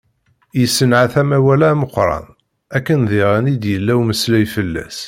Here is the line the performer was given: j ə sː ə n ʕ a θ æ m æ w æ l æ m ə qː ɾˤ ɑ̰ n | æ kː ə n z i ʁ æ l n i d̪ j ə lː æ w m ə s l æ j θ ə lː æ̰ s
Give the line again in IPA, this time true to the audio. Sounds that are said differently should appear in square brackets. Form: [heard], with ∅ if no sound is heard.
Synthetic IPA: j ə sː ə n ʕ a θ æ m æ w æ l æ m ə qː ɾˤ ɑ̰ n | æ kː ə n [ð] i ʁ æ [∅] n i d̪ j ə lː æ w m ə s l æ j [f] ə lː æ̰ s